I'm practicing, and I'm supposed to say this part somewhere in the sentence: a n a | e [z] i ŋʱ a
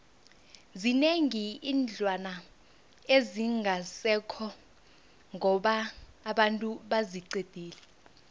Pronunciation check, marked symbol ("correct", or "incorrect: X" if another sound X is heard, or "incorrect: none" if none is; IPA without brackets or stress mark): correct